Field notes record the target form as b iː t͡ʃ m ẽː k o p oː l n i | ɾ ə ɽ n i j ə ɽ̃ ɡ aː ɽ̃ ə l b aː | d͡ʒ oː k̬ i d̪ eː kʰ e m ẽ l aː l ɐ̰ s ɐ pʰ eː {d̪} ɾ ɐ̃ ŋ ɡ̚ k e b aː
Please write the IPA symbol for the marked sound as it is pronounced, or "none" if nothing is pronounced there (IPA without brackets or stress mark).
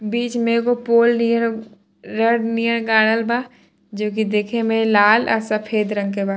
d̪